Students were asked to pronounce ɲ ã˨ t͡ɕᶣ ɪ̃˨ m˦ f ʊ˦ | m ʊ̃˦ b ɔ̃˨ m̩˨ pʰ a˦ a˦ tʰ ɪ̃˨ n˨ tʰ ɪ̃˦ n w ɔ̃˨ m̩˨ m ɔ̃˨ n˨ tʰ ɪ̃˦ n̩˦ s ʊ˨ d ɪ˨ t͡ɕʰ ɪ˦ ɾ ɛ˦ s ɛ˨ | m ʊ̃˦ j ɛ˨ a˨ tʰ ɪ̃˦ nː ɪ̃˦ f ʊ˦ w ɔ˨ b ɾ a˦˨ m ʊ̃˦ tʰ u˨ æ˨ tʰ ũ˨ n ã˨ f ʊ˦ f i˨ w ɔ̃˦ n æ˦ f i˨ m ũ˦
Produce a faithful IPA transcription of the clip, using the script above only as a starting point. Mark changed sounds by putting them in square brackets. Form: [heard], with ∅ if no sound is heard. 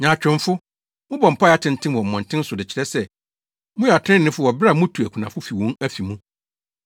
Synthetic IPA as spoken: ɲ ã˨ t͡ɕᶣ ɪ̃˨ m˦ f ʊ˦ | m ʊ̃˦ b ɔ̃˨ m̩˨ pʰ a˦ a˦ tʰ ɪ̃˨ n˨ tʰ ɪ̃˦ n w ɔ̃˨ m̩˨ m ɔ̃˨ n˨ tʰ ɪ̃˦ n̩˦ s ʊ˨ d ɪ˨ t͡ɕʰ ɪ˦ ɾ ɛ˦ s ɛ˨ | m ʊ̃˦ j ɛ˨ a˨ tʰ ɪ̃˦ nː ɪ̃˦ f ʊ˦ w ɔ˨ b ɾ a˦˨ m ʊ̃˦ tʰ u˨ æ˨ [kʰ] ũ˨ n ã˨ f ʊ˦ f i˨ w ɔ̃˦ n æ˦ f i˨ m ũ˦